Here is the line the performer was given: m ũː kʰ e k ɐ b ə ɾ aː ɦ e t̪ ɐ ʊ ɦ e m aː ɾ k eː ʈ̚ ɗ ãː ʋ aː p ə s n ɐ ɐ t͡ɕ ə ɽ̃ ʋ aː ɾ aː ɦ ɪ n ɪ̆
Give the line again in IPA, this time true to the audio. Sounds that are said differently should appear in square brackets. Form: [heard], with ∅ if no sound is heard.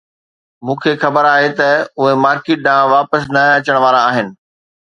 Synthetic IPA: m ũː kʰ e [x] ɐ b ə ɾ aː ɦ e t̪ ɐ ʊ ɦ e m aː ɾ k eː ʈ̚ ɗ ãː ʋ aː p ə s n ɐ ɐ t͡ɕ ə ɽ̃ ʋ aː ɾ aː ɦ ɪ n ɪ̆